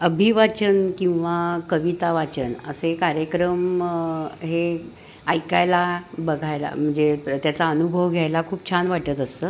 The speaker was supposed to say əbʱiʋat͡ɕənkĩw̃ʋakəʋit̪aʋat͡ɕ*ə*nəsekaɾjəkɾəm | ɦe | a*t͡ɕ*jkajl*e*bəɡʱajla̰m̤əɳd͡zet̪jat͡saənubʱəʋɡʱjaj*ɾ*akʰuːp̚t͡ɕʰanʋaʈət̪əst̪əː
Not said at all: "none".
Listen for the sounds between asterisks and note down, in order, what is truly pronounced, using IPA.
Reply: ə, none, a, l

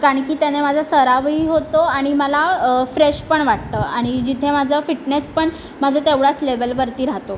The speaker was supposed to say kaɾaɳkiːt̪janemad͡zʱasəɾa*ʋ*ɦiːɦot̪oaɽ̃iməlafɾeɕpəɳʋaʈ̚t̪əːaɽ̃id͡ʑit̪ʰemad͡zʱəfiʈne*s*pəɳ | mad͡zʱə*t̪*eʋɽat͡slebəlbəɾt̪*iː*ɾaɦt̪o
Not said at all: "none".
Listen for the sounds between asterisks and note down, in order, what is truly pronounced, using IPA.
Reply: ʋ, s, t̪, iː

